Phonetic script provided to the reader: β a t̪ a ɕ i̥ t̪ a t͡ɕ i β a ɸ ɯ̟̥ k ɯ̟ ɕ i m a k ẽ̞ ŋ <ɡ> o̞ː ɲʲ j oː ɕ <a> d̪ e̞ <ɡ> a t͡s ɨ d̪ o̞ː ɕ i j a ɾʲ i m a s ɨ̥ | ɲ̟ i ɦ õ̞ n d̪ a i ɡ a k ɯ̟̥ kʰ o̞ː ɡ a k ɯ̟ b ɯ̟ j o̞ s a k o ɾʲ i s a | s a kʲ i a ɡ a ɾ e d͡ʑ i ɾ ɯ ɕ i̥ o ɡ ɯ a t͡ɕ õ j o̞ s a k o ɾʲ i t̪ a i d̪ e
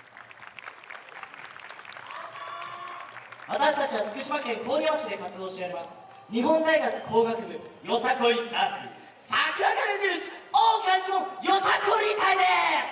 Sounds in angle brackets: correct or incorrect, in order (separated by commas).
incorrect, incorrect, incorrect